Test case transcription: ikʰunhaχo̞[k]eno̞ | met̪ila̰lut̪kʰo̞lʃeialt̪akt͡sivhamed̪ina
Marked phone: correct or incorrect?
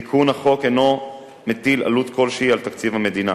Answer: correct